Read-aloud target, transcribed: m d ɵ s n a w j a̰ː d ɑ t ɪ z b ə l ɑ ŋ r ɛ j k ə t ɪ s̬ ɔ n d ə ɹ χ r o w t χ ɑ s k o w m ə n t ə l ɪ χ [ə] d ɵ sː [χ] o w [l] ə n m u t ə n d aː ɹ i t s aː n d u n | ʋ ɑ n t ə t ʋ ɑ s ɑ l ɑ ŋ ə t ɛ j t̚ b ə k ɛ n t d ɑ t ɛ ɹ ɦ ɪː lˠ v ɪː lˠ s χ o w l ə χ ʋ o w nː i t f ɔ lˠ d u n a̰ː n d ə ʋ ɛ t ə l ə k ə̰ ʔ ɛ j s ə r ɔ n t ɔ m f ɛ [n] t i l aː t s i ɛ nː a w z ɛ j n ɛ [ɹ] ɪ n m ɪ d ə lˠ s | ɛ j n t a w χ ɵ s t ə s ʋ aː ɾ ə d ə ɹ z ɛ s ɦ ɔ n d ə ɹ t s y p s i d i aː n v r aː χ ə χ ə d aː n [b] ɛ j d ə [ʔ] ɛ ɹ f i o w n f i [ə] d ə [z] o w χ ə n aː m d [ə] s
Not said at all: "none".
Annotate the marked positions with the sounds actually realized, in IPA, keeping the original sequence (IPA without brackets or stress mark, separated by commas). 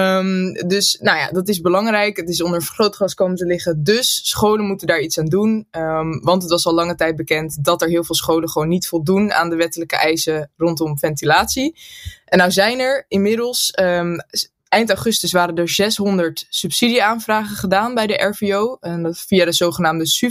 ə, χ, l, n, ɹ, b, ʔ, a, z, ə